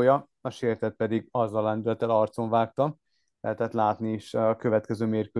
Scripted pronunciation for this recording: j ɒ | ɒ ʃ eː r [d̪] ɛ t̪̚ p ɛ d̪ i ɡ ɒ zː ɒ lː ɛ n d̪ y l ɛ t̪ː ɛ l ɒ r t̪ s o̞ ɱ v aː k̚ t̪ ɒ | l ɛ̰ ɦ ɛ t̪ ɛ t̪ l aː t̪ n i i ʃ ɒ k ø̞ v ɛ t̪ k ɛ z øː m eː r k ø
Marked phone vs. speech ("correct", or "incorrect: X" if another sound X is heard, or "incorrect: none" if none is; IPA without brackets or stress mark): incorrect: t̪